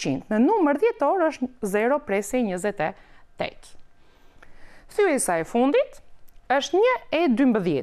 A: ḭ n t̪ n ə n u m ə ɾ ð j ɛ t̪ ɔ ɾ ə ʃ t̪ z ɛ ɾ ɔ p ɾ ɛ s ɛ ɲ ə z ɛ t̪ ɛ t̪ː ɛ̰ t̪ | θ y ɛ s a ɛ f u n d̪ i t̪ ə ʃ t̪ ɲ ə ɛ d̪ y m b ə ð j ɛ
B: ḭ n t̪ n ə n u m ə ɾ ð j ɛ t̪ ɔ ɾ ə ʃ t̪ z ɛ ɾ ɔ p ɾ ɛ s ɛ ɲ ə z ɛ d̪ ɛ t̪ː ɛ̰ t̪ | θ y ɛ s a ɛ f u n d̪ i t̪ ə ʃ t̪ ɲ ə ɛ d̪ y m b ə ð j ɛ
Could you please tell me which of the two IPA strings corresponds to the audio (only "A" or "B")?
A